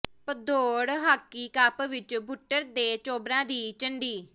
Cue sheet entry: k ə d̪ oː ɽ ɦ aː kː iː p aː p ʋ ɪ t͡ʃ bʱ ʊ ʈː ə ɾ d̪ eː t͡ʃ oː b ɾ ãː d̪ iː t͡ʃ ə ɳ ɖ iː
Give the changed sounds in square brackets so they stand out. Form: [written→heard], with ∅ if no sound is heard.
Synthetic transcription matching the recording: [k→p] ə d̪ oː ɽ ɦ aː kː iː [p→k] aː p ʋ ɪ t͡ʃ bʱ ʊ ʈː ə ɾ d̪ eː t͡ʃ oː b ɾ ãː d̪ iː t͡ʃ ə ɳ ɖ iː

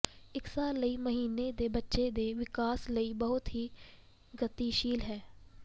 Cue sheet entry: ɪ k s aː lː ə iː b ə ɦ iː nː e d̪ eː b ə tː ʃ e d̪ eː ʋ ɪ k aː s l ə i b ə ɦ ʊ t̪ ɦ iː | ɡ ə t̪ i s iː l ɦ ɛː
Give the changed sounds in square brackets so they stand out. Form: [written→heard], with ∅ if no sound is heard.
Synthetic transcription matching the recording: ɪ k s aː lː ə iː [b→m] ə ɦ iː [nː→n] e d̪ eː b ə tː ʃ e d̪ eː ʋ ɪ k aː s l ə i b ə ɦ ʊ t̪ ɦ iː | ɡ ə t̪ i [s→ʃ] iː l ɦ ɛː

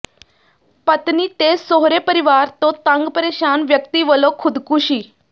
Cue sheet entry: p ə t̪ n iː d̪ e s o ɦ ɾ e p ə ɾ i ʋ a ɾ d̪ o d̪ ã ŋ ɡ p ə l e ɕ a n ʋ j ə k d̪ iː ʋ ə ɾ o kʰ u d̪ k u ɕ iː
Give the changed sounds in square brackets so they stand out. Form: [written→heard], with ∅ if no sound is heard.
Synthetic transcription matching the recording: p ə t̪ n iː [d̪→t̪] e s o ɦ ɾ e p ə ɾ i ʋ a ɾ [d̪→t̪] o [d̪→t̪] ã ŋ ɡ p ə [l→ɾ] e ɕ a n ʋ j ə k [d̪→t̪] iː ʋ ə [ɾ→l] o kʰ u d̪ k u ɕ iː

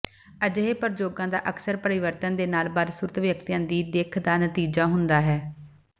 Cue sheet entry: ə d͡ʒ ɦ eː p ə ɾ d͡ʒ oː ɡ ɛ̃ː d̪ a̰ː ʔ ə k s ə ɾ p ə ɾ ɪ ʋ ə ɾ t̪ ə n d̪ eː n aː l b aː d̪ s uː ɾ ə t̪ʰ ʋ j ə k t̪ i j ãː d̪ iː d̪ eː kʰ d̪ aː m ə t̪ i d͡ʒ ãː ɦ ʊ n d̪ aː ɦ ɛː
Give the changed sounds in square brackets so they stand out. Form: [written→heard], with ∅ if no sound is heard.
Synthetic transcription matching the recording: ə d͡ʒ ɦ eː p ə ɾ d͡ʒ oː ɡ [ɛ̃ː→ãː] d̪ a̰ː ʔ ə k s ə ɾ p ə ɾ ɪ ʋ ə ɾ t̪ ə n d̪ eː n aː l b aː d̪ s uː ɾ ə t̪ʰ ʋ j ə k t̪ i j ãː d̪ iː d̪ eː kʰ d̪ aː [m→n] ə t̪ [i→iː] d͡ʒ [ãː→aː] ɦ ʊ n d̪ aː ɦ ɛː

